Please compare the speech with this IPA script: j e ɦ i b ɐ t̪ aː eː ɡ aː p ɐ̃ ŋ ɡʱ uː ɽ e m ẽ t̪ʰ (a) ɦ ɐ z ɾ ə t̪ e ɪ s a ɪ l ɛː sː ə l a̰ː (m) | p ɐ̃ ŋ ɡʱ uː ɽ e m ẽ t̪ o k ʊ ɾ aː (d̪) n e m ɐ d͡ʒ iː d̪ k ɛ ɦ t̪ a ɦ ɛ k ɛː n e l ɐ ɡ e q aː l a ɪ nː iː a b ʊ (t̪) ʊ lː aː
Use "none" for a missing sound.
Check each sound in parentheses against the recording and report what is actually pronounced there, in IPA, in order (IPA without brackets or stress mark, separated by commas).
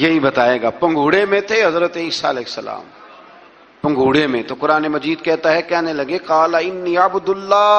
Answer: e, m, none, d̪